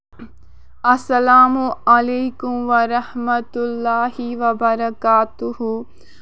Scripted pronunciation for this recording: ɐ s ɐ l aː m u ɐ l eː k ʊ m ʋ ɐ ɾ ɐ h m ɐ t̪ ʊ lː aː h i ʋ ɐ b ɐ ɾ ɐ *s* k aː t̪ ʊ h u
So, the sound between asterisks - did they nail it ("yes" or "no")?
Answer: no